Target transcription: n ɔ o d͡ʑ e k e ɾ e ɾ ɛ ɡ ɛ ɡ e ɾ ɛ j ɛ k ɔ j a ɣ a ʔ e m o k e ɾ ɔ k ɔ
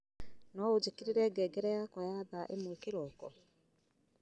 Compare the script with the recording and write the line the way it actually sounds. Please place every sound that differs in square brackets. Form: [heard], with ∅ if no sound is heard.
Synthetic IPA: n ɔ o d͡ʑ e k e ɾ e ɾ ɛ ɡ ɛ ɡ [ɛ] ɾ ɛ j [a] k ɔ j a [ð] a ʔ e m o k e ɾ ɔ k ɔ